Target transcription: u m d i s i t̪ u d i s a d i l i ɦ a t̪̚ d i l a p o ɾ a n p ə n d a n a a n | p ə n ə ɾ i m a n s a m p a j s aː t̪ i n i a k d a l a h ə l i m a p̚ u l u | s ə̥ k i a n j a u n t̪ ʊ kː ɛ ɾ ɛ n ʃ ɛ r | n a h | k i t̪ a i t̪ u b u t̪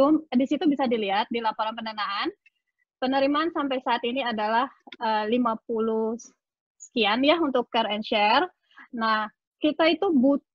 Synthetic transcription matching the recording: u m d i s i t̪ u b i s a d i l i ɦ a t̪̚ d i l a p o ɾ a n p ə n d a n a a n | p ə n ə ɾ i m a n s a m p a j s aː t̪ i n i a d a l a h ə l i m a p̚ u l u | s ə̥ k i a n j a u n t̪ ʊ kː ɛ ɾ ɛ n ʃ ɛ r | n a h | k i t̪ a i t̪ u b u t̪